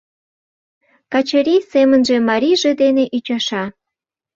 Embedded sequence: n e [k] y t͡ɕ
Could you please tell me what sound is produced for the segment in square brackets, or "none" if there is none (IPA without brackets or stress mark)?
ʔ